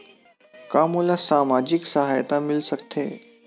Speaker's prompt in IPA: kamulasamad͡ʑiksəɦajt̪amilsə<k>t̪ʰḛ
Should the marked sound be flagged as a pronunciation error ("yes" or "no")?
no